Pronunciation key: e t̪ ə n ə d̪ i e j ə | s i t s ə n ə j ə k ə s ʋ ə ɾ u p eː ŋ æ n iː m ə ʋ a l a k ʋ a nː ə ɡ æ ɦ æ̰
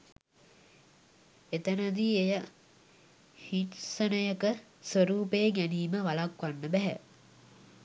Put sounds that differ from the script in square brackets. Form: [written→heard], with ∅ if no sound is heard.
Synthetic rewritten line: e t̪ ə n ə d̪ i e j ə | [s→h] i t s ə n ə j ə k ə s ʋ ə ɾ [u→uː] p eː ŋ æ n iː m ə ʋ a l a k ʋ a nː ə [ɡ→b] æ ɦ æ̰

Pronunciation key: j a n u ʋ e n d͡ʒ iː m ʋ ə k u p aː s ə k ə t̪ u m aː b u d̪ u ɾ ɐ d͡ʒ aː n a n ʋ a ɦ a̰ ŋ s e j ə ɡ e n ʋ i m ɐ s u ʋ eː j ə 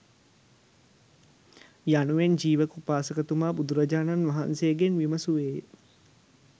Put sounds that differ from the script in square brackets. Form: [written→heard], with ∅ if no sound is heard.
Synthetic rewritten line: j a n u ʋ e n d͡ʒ iː [m→∅] ʋ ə k u p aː s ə k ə t̪ u m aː b u d̪ u ɾ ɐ d͡ʒ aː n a n ʋ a ɦ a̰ [ŋ→n] s e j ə ɡ e n ʋ i m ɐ s u ʋ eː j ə

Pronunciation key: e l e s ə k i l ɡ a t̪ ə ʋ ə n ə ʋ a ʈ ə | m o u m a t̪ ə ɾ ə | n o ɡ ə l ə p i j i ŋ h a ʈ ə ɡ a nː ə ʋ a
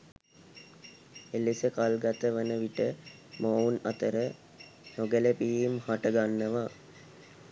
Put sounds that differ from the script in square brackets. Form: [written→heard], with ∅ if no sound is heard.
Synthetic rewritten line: e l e s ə k [i→a] l ɡ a t̪ ə ʋ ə n ə ʋ [a→i] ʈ ə | m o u [m→n] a t̪ ə ɾ ə | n o ɡ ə l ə p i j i [ŋ→m] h a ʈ ə ɡ a nː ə ʋ a

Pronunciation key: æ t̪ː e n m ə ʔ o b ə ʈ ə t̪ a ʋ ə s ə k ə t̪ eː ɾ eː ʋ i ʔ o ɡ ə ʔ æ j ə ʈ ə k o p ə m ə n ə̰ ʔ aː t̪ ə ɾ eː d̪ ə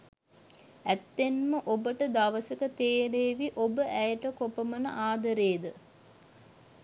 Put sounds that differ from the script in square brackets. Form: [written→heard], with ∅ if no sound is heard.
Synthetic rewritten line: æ t̪ː e n m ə ʔ o b ə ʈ ə [t̪→d̪] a ʋ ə s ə k ə t̪ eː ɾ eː ʋ i ʔ o [ɡ→b] ə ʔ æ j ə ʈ ə k o p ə m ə n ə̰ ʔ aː [t̪→d̪] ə ɾ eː d̪ ə

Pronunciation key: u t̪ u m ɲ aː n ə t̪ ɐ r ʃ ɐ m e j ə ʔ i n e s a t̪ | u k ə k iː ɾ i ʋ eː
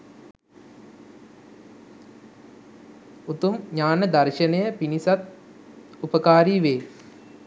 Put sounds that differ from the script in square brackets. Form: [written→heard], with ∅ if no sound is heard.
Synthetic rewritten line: u t̪ u m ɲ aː n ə [t̪→d̪] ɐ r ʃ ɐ [m→n] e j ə [ʔ→p] i n [e→i] s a t̪ | u [k→p] ə k [iː→aː] ɾ i ʋ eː

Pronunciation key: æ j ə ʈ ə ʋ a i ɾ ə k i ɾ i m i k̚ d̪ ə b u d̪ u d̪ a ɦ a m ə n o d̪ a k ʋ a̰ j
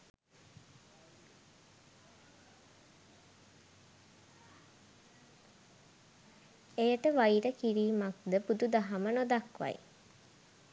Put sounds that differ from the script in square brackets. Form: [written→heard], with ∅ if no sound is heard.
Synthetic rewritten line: [æ→e] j ə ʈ ə ʋ a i ɾ ə k i ɾ [i→iː] m [i→a] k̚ d̪ ə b u d̪ u d̪ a ɦ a m ə n o d̪ a k ʋ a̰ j

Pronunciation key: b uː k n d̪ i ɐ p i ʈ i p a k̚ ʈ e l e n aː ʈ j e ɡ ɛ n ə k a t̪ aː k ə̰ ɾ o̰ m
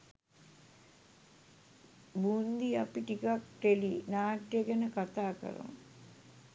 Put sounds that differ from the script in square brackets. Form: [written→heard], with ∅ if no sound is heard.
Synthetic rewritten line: b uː [k→∅] n d̪ i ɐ p i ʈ i [p→k] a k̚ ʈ e l [e→i] n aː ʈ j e ɡ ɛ n ə k a t̪ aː k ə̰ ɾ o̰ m

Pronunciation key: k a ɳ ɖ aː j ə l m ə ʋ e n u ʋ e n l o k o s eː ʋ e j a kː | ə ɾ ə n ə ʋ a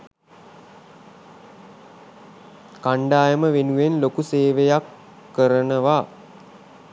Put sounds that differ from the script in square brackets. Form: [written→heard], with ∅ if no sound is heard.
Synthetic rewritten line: k a ɳ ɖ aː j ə [l→∅] m ə ʋ e n u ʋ e n l o k [o→u] s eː ʋ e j a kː | ə ɾ ə n ə ʋ a

